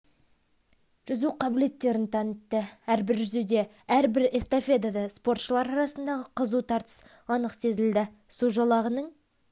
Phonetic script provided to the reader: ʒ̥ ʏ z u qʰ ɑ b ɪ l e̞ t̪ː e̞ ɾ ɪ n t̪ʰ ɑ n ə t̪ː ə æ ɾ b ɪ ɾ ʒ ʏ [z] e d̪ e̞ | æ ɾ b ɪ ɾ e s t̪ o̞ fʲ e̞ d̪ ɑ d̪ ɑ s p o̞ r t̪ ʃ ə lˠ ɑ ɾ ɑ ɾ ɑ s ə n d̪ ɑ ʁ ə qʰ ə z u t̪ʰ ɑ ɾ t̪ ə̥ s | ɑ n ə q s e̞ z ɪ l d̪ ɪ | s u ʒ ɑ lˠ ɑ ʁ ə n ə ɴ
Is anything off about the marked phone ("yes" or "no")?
no